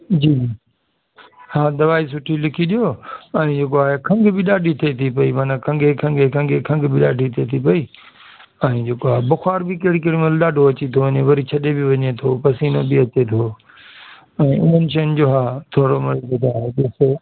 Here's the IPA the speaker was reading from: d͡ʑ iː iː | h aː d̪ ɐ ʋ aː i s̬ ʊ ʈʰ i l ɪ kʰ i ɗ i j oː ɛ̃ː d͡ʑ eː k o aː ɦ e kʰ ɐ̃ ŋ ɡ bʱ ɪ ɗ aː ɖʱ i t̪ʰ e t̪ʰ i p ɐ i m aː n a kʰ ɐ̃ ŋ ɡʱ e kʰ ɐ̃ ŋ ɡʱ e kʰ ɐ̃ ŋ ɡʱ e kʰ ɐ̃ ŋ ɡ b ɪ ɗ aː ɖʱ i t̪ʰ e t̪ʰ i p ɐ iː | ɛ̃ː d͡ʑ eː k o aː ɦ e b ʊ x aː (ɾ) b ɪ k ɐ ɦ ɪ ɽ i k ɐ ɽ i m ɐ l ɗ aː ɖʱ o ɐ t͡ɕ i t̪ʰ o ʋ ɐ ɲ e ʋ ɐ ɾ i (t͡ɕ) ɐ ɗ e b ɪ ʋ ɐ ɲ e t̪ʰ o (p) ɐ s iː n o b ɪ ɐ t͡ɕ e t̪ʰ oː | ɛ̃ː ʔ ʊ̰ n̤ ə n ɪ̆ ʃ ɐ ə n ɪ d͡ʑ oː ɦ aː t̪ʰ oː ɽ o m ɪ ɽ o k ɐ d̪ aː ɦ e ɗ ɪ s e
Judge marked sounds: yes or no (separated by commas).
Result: yes, no, yes